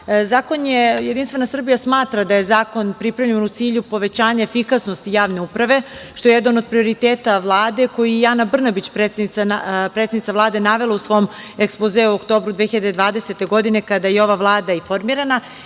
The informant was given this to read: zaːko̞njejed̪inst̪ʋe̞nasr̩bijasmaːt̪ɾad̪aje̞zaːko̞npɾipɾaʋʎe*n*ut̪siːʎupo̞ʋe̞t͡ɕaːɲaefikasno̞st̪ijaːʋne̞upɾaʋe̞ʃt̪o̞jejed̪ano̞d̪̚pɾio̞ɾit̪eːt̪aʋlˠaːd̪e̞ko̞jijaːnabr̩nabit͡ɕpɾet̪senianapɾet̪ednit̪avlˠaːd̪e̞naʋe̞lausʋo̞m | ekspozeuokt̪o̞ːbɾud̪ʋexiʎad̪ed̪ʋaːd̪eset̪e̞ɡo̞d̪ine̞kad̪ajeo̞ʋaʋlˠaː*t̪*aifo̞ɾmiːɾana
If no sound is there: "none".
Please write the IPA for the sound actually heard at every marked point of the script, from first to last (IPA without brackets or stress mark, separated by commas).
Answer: n, d̪